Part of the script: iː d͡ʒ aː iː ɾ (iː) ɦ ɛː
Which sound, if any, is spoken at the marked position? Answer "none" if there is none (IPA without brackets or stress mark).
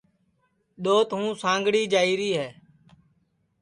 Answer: iː